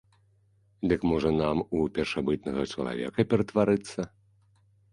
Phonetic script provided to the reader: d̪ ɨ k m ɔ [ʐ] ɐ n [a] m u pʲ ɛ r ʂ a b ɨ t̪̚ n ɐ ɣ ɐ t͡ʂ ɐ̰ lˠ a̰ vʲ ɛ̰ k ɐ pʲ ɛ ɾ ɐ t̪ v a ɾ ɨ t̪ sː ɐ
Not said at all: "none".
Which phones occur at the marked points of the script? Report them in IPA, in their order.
ʐ, a

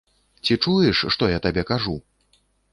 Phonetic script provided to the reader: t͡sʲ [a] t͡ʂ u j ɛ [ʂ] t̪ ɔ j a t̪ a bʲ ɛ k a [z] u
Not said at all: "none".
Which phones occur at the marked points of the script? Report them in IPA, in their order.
i, ʂː, ʐ

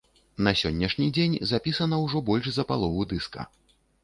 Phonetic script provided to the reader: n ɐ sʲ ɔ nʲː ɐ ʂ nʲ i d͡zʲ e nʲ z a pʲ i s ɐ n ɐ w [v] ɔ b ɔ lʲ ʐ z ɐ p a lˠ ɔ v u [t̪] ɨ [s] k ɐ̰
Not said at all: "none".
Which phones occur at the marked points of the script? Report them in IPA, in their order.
ʐ, d̪, s

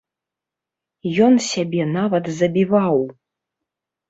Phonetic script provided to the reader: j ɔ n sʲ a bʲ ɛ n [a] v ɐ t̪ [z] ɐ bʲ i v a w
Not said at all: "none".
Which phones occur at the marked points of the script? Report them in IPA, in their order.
a, z

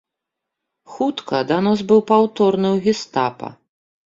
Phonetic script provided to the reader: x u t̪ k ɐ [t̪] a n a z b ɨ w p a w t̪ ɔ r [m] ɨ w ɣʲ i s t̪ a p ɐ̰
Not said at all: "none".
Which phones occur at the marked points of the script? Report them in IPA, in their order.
d̪, n

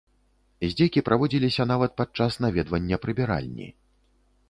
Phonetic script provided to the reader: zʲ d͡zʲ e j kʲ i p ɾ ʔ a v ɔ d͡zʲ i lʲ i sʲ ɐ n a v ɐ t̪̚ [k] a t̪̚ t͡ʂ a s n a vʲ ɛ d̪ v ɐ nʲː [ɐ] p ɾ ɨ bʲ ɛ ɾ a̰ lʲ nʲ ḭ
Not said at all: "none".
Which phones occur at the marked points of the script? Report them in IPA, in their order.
p, ɐ

